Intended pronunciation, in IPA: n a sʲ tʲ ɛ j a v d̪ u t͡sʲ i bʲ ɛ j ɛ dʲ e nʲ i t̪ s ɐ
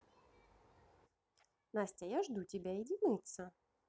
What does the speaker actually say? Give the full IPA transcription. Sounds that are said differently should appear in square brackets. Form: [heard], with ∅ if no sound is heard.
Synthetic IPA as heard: n a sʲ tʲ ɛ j a [ʐ] d̪ u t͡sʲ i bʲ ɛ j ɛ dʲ [i] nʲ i t̪ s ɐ